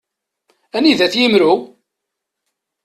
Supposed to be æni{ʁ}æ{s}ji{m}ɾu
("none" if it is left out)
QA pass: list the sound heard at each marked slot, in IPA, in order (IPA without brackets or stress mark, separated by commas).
ð, θ, m